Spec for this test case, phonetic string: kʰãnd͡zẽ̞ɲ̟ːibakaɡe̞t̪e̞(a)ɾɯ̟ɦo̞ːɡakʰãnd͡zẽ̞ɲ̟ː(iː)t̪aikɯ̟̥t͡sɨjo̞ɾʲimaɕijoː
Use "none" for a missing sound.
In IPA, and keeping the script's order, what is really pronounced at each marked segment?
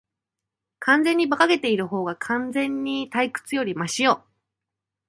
i, i

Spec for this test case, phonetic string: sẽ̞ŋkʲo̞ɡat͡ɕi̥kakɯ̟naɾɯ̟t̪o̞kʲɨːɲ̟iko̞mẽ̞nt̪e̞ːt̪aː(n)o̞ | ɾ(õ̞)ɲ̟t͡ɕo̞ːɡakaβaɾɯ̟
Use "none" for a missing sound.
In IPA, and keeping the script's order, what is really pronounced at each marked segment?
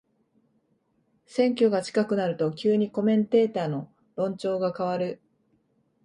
n, õ̞

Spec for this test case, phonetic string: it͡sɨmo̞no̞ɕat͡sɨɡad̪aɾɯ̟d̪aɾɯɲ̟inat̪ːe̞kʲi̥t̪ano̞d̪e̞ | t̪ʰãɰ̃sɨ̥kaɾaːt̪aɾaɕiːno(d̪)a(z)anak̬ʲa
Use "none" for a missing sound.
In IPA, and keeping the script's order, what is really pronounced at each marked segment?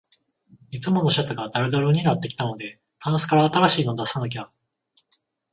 d̪, s

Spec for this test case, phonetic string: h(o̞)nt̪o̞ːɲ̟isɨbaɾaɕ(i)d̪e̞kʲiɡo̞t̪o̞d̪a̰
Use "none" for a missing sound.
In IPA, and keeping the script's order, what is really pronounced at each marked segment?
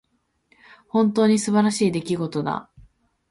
õ̞, iː

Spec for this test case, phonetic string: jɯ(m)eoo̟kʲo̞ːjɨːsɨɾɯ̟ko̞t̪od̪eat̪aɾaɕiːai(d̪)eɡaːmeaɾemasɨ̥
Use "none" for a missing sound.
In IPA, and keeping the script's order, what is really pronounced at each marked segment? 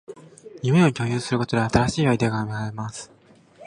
m, d̪

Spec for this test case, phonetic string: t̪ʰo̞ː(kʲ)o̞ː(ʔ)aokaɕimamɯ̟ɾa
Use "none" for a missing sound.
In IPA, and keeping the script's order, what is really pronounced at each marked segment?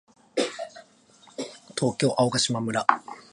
kʲ, ʔ

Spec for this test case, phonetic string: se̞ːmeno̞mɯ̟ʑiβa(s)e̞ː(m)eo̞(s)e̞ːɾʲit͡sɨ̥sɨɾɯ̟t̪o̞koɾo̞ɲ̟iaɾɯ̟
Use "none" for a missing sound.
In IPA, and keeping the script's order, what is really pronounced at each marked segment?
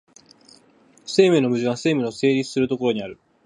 s, m, s

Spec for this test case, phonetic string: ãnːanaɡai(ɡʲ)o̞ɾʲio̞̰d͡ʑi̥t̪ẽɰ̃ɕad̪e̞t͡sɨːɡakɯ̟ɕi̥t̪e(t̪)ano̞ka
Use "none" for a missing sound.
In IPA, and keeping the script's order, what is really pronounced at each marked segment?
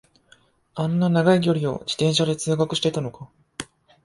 ɡʲ, t̪

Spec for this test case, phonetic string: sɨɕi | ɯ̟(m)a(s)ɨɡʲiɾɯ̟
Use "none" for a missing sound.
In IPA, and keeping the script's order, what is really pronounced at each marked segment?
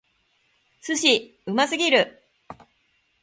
m, s

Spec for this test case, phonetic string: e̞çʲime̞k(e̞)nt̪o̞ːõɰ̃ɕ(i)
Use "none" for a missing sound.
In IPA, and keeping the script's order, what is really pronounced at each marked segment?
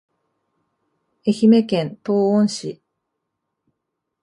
ẽ̞, i

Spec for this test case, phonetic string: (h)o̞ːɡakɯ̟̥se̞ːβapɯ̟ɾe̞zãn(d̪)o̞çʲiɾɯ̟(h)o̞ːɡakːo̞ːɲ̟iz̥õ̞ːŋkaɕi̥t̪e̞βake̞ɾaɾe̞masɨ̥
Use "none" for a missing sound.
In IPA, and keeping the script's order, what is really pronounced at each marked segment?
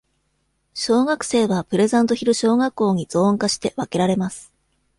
ɕ, t̪, ɕ

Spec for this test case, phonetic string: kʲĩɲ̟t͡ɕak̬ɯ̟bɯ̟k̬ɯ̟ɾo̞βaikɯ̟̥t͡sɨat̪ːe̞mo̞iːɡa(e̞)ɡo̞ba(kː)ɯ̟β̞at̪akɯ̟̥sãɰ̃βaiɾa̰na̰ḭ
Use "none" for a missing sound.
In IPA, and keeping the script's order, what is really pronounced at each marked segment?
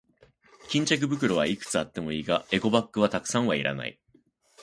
e̞, kː

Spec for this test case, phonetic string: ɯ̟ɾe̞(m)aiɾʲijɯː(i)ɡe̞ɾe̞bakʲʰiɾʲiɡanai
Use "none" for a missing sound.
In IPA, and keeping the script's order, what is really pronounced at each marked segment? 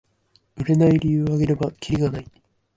n, a

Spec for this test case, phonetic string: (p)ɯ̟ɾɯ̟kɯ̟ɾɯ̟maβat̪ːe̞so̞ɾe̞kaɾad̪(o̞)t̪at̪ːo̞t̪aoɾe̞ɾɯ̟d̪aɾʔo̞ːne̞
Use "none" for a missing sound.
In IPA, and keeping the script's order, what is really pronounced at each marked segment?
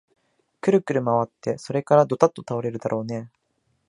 k, o̞

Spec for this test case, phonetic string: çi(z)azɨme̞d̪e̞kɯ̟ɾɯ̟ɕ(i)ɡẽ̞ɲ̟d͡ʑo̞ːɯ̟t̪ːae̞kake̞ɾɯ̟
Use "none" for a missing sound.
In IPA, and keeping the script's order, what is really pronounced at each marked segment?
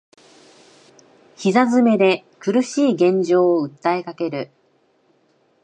z, iː

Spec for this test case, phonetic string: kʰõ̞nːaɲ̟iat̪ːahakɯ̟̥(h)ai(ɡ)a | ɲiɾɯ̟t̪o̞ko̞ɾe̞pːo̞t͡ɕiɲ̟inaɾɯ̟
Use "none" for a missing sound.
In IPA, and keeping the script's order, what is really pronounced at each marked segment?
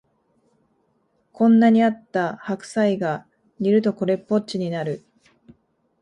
s, ɡ

